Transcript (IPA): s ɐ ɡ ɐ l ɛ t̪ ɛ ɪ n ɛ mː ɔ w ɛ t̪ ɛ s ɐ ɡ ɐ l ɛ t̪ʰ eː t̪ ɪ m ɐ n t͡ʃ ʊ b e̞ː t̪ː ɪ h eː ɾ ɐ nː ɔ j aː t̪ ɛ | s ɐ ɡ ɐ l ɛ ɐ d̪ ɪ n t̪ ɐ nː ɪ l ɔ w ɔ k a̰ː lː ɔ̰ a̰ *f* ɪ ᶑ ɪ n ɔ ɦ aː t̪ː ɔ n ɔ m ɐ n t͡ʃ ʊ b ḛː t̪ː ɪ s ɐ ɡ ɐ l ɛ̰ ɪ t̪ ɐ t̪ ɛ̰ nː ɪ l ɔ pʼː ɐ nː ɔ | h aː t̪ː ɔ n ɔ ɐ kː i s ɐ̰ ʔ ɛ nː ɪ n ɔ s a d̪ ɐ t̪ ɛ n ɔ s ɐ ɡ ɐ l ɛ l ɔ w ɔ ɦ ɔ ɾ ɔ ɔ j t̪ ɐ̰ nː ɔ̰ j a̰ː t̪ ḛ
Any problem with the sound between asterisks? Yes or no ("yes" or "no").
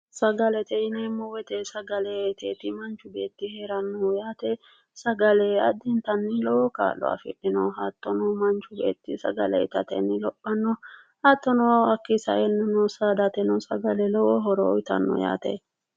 no